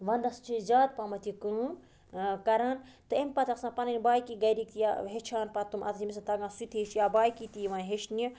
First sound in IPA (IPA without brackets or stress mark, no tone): ʋ